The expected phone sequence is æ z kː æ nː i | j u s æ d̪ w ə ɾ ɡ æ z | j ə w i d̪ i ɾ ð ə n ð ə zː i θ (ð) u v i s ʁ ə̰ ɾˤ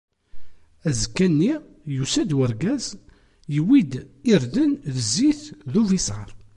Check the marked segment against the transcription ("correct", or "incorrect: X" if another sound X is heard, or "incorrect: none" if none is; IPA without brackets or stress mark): correct